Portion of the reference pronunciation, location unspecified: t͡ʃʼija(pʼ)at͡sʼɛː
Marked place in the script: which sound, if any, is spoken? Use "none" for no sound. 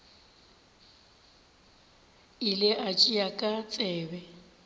kʼ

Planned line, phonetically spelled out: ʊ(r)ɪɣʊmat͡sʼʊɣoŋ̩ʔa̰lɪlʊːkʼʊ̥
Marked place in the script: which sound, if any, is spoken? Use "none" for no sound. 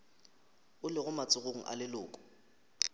l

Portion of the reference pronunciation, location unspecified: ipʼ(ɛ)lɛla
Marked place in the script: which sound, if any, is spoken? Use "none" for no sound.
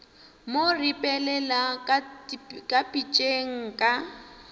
ɛ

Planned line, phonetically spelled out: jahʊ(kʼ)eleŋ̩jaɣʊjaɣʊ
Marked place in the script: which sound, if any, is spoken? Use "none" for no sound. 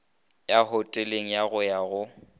tʼ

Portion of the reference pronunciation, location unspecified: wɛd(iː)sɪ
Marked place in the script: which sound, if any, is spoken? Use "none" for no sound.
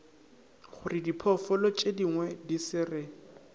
i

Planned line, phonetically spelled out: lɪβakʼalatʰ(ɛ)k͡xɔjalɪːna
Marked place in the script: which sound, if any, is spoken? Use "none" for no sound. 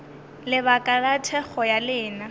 ɛ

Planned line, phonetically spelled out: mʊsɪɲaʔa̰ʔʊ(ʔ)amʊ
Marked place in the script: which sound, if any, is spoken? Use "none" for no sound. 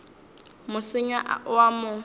none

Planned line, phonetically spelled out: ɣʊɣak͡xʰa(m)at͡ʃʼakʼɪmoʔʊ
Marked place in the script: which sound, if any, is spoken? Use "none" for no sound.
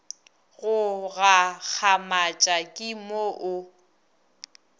m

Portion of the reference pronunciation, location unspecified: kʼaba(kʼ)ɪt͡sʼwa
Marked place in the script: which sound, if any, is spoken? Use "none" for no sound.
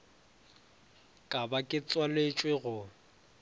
kʼ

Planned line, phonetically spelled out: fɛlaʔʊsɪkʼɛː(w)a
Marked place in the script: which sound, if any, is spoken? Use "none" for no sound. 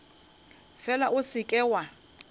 w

